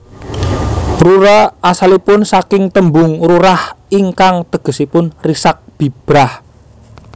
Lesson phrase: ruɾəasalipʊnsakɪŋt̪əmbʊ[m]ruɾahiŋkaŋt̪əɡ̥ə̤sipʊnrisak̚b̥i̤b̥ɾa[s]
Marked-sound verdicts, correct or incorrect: incorrect: ŋ, incorrect: h

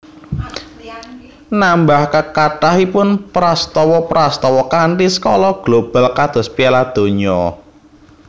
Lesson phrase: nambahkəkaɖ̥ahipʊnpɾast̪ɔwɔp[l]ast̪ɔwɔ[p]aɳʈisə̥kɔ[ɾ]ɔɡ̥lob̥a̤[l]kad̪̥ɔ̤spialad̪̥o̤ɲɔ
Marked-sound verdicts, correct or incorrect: incorrect: ɾ, incorrect: k, incorrect: l, correct

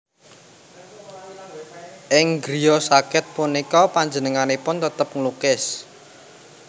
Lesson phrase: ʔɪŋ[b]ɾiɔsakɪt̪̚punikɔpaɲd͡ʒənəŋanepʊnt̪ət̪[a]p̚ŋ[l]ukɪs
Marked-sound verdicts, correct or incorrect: incorrect: ɡ, incorrect: ə, correct

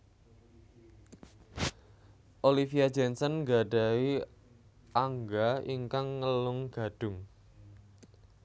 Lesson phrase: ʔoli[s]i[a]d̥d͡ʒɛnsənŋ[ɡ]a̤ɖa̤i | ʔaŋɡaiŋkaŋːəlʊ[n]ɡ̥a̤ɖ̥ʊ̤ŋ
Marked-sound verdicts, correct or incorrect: incorrect: f, correct, correct, incorrect: ŋ

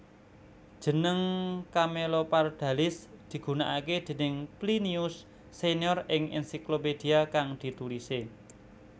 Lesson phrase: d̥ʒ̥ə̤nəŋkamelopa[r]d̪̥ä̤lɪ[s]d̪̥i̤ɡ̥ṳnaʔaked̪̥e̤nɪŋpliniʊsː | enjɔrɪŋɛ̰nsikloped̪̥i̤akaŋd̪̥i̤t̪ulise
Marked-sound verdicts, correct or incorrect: correct, correct

